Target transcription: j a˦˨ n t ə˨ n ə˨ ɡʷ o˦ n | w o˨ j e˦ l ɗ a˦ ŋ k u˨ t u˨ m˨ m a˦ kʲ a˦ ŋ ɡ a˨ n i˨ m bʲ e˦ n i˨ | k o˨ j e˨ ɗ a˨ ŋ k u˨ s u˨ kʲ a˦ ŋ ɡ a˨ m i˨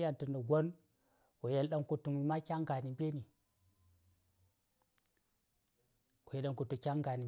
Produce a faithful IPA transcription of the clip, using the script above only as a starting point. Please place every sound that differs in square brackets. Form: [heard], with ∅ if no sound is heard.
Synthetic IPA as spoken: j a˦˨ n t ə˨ n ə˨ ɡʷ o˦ n | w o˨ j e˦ l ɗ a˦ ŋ k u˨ t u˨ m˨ m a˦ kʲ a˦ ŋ ɡ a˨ n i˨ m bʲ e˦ n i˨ | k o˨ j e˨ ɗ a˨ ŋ k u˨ [t] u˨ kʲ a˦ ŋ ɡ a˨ [n] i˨